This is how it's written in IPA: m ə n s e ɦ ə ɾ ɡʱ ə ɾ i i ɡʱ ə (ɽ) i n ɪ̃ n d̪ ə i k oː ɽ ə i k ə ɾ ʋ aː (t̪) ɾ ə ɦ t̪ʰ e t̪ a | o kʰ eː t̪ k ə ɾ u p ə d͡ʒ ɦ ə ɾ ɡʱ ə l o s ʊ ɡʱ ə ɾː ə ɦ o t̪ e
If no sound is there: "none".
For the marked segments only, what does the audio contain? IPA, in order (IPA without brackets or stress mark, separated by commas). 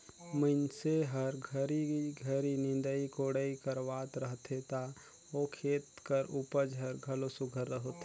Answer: ɾ, t̪